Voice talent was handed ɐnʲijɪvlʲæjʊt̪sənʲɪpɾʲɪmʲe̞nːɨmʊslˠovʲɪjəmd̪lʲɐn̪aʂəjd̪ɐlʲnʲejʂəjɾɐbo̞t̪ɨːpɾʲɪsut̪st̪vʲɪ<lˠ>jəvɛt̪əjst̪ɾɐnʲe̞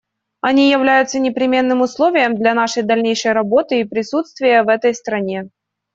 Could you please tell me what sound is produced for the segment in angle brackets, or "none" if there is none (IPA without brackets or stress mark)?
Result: none